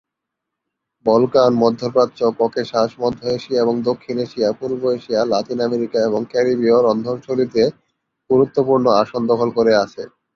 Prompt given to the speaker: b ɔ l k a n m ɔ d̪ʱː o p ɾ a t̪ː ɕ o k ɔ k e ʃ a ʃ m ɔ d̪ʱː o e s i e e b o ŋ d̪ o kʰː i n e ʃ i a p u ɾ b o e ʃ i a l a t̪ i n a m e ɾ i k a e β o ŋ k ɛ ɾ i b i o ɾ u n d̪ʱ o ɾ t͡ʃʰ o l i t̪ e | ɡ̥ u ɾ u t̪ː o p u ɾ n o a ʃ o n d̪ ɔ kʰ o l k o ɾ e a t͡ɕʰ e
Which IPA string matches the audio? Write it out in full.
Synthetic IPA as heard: b ɔ l k a n m ɔ d̪ʱː o p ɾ a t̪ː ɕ o k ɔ k e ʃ a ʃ m ɔ d̪ʱː o e ʃ i a e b o ŋ d̪ o kʰː i n e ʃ i a p u ɾ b o e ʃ i a l a t̪ i n a m e ɾ i k a e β o ŋ k ɛ ɾ i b i o ɾ ɔ n d̪ʱ o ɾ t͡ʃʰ o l i t̪ e | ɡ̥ u ɾ u t̪ː o p u ɾ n o a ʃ o n d̪ ɔ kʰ o l k o ɾ e a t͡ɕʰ e